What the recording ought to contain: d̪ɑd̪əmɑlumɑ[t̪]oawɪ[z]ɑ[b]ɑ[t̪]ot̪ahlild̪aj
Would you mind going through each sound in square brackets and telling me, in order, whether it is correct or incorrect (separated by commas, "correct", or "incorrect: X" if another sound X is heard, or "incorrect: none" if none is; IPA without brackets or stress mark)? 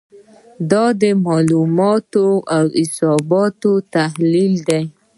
correct, incorrect: s, correct, correct